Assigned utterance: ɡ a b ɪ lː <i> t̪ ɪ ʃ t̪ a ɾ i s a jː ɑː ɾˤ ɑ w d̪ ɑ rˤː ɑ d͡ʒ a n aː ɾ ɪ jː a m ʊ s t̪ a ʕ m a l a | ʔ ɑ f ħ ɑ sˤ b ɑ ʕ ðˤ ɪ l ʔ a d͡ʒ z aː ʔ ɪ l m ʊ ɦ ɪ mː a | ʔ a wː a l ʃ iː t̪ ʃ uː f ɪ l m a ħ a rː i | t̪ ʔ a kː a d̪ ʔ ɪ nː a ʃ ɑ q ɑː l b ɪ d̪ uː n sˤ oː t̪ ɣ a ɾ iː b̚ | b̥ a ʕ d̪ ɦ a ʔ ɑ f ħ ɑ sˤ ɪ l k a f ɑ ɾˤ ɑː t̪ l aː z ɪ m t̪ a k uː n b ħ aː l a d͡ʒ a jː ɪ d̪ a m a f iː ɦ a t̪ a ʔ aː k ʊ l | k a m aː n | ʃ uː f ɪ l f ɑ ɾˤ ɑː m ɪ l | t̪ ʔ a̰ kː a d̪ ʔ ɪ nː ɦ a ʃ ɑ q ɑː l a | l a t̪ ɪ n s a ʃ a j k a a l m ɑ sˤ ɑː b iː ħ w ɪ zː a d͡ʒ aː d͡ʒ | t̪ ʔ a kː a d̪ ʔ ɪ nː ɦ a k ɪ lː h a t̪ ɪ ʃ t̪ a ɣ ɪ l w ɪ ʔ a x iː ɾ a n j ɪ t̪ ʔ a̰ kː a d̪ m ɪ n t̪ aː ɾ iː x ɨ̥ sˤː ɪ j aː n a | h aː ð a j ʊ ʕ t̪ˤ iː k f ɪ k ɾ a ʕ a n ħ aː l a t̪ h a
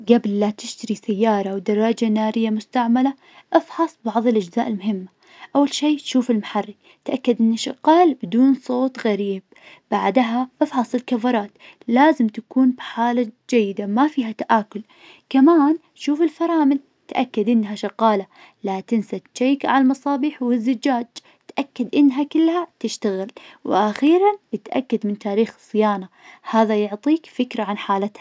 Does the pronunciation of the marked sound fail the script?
yes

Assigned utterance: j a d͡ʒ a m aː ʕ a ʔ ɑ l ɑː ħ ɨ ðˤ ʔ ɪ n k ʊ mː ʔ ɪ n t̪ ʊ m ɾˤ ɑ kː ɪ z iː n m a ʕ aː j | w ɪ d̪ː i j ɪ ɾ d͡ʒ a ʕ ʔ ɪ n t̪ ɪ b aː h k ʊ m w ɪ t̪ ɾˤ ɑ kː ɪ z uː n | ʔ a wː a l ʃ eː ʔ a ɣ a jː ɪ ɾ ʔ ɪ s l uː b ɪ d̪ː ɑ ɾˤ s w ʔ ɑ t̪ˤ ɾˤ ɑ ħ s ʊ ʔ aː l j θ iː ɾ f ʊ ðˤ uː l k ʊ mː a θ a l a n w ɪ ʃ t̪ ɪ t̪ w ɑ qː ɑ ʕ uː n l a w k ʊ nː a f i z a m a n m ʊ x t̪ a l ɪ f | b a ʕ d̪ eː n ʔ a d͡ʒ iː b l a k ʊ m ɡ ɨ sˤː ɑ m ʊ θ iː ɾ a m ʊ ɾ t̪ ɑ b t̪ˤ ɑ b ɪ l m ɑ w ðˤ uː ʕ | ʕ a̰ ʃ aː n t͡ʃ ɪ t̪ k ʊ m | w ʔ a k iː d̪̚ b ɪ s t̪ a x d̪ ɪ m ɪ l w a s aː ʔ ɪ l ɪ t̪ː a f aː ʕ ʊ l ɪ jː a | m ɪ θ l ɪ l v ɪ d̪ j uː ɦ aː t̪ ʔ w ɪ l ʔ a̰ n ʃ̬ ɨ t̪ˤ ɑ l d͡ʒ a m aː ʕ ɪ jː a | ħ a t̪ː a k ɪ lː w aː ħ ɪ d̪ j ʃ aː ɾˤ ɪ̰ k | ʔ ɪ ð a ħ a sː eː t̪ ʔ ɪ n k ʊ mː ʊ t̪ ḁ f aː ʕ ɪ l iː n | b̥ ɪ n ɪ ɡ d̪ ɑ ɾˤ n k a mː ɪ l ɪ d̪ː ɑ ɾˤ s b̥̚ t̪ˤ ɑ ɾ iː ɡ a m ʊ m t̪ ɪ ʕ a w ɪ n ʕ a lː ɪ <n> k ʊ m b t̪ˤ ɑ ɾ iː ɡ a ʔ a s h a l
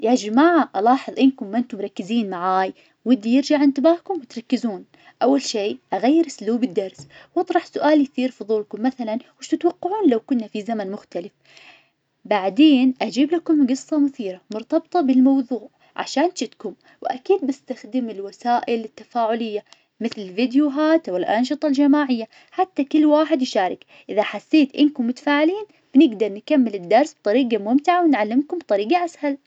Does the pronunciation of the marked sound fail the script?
yes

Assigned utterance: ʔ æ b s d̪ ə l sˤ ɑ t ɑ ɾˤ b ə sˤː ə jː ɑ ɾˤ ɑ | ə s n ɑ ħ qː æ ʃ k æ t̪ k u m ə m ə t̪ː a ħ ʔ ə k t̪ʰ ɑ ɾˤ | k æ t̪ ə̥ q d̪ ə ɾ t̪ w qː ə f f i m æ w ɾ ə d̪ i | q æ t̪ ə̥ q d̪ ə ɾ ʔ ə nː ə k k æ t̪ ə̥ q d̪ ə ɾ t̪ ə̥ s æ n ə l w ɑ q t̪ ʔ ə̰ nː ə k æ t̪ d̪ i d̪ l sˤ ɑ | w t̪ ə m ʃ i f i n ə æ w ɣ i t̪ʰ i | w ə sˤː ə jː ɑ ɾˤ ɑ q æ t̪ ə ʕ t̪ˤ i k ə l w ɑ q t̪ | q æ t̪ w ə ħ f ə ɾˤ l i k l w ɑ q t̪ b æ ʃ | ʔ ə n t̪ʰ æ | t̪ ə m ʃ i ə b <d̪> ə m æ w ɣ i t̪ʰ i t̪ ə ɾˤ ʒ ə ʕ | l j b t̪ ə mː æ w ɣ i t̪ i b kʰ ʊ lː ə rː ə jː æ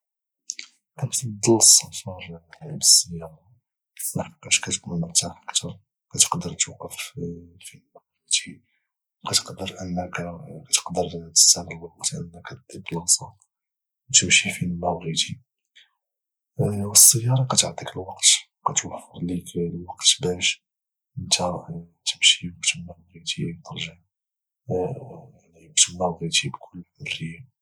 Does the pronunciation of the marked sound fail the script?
yes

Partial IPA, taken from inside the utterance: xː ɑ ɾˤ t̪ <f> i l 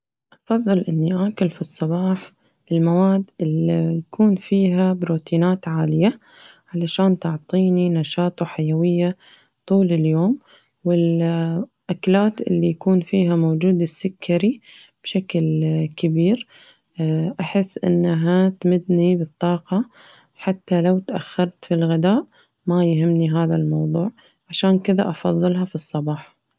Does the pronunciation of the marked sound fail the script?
no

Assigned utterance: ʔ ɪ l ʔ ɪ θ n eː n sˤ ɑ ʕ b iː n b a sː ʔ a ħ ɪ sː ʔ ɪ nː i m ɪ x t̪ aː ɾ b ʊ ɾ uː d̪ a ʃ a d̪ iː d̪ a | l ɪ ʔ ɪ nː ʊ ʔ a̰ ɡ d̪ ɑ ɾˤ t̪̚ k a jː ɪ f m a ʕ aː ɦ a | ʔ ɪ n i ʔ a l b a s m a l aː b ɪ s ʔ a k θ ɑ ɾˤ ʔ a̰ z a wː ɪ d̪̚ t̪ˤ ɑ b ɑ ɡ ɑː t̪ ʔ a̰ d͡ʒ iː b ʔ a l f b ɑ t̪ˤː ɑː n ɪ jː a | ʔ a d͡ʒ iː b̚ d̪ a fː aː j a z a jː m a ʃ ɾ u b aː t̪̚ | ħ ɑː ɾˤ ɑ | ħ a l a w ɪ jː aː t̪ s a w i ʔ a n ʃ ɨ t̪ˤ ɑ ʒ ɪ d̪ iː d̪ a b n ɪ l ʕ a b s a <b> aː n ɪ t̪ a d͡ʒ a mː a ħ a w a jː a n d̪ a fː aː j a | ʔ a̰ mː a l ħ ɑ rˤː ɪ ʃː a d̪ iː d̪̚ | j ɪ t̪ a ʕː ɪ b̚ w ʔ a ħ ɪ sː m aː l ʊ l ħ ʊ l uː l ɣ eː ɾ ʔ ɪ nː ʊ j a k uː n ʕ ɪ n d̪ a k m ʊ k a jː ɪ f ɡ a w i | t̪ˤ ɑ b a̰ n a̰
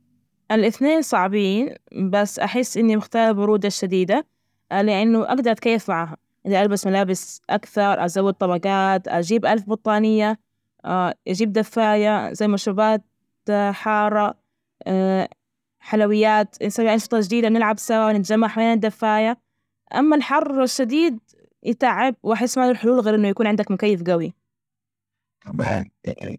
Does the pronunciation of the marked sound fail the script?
yes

